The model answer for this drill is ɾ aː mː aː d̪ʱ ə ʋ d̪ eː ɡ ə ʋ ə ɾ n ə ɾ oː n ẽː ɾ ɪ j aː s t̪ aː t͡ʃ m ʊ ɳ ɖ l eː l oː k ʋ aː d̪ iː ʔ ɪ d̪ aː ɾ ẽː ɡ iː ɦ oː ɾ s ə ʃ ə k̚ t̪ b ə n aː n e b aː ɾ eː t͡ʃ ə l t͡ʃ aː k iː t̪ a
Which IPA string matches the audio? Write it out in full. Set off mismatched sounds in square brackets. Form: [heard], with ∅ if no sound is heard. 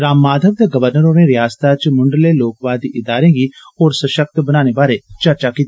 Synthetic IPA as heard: ɾ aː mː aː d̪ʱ ə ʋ d̪ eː ɡ ə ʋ ə ɾ n ə ɾ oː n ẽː ɾ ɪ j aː s t̪ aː t͡ʃ m ʊ ɳ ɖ l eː l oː k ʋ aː d̪ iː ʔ ɪ d̪ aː ɾ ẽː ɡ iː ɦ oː ɾ s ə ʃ ə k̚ t̪ b ə n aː n e b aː ɾ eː t͡ʃ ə [ɾ] t͡ʃ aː k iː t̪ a